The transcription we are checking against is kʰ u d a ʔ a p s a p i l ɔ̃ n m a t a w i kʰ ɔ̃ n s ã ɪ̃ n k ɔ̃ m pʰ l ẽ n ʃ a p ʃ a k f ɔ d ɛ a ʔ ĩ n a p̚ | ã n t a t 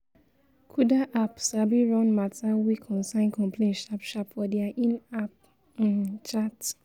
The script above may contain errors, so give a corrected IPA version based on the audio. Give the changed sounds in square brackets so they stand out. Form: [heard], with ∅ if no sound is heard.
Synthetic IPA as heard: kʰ u d a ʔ a p s a [b] i [ɹ] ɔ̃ n m a t a w i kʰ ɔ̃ n s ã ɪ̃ n k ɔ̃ m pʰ l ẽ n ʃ a p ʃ a [p] f ɔ d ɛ a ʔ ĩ n a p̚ | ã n [t͡ʃ] a t